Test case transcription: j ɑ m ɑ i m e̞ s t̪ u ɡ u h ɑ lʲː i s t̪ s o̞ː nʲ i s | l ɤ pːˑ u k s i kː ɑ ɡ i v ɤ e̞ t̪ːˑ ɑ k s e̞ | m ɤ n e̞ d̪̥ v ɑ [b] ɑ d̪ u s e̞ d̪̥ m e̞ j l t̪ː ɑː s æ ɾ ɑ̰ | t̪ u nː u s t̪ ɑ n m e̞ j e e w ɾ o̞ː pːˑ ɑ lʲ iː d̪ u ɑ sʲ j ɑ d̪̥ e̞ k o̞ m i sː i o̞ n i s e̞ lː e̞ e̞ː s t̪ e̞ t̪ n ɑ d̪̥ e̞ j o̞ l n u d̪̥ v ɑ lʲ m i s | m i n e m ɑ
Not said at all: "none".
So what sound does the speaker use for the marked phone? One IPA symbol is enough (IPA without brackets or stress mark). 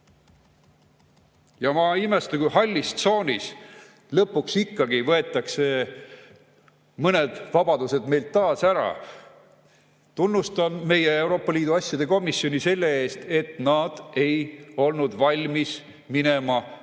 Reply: b